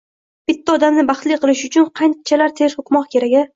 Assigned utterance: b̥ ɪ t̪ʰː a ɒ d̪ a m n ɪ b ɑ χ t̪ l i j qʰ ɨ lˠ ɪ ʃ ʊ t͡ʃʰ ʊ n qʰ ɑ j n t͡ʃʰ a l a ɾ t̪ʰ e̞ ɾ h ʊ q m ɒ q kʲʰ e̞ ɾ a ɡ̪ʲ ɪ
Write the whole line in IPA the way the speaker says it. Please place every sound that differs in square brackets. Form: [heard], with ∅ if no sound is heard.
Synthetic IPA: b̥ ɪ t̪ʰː a ɒ d̪ a m n ɪ b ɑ χ t̪ l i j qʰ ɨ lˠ ɪ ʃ ʊ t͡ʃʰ ʊ n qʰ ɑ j n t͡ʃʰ a l a ɾ t̪ʰ e̞ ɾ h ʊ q m ɒ q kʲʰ e̞ ɾ a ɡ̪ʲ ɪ